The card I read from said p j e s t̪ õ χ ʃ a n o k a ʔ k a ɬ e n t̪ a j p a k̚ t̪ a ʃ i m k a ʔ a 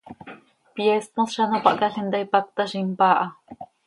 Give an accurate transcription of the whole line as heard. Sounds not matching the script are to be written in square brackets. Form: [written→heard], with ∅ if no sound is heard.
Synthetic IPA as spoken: p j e s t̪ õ [χ→s] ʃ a n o [k→p] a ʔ k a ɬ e n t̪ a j p a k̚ t̪ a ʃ i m [k→p] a ʔ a